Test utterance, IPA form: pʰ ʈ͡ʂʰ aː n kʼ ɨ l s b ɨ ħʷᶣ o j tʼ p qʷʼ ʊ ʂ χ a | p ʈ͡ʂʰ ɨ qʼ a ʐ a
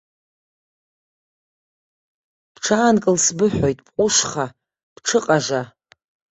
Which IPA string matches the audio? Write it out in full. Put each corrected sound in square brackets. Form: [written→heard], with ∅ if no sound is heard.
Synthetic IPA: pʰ ʈ͡ʂʰ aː n kʼ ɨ l s b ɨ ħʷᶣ o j tʼ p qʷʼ ʊ ʂ χ a | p ʈ͡ʂʰ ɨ qʼ a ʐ a